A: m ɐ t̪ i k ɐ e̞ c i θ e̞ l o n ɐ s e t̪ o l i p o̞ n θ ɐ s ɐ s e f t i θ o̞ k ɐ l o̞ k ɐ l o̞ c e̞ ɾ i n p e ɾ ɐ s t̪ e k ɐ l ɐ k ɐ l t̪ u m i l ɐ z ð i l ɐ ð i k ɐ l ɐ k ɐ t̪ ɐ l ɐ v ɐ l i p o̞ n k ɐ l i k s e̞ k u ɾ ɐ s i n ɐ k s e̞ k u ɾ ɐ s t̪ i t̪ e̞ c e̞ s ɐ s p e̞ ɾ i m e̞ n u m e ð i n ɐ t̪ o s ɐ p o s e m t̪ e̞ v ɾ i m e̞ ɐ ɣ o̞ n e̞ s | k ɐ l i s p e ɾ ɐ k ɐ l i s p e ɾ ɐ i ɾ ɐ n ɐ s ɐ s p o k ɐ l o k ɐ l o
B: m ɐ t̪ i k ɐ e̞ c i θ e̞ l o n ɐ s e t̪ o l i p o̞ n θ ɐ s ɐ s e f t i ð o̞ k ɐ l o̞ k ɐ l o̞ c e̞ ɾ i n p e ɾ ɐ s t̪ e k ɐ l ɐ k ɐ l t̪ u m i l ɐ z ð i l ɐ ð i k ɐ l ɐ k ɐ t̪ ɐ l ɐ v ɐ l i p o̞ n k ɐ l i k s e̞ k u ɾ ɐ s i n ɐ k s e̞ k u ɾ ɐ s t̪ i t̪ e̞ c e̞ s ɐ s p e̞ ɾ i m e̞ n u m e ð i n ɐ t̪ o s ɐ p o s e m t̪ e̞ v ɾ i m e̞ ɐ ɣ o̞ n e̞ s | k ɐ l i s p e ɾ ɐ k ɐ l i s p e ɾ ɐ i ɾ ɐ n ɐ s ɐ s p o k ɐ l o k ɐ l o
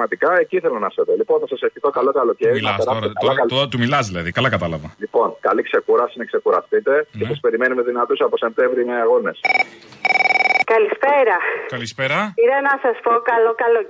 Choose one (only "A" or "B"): A